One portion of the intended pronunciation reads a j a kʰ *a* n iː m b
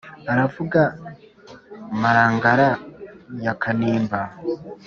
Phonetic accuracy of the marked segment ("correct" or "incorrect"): correct